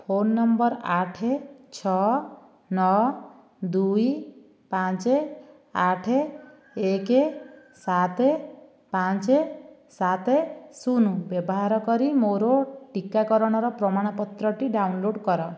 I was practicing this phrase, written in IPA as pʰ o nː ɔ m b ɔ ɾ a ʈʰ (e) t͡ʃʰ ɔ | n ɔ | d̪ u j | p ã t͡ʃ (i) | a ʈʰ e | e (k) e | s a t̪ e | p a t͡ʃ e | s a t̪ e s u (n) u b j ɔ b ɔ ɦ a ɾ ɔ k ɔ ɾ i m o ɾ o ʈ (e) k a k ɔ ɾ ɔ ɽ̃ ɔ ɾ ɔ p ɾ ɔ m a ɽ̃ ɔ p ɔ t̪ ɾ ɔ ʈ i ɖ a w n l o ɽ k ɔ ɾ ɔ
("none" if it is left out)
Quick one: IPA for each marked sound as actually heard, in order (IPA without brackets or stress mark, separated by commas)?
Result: e, e, k, n, i